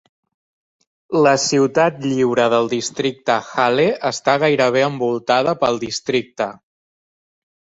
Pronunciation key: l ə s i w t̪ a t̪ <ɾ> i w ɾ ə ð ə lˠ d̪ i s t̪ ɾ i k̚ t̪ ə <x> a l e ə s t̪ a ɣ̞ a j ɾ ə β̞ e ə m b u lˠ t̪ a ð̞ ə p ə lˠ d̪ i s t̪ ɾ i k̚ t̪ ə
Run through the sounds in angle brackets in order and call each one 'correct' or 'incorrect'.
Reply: incorrect: ʎ, correct

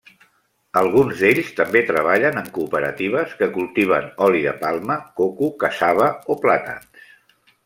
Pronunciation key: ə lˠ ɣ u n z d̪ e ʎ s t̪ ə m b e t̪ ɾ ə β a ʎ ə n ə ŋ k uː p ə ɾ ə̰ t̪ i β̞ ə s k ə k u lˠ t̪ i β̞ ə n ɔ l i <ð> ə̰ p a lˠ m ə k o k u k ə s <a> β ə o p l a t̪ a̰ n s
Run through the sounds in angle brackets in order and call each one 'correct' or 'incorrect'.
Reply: correct, correct

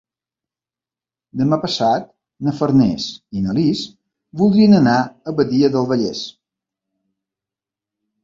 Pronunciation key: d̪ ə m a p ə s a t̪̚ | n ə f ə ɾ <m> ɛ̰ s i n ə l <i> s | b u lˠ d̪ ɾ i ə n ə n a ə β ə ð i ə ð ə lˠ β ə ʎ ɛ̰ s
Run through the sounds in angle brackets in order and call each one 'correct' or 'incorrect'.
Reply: incorrect: n, correct

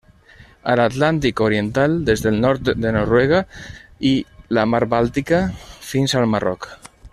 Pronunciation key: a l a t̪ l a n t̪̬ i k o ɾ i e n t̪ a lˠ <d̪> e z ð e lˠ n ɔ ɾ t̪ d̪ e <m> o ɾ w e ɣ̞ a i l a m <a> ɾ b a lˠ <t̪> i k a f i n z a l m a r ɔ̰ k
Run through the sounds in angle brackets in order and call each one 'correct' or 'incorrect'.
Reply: correct, incorrect: n, correct, correct

